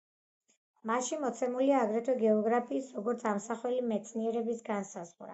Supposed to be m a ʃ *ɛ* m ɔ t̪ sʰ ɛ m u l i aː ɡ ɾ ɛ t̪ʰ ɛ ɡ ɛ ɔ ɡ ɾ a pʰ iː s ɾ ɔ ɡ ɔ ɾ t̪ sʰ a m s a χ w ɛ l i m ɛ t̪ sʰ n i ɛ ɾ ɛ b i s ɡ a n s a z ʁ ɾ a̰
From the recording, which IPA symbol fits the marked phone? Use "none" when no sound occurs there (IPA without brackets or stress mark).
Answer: i